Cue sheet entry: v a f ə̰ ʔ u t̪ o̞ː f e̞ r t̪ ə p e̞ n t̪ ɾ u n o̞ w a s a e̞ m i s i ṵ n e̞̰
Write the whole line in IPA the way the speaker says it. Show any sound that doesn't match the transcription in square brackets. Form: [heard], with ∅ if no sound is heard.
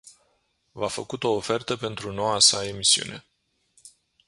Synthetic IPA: v a f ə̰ [k] u t̪ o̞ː f e̞ r t̪ ə p e̞ n t̪ ɾ u n o̞ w a s a e̞ m i s i ṵ n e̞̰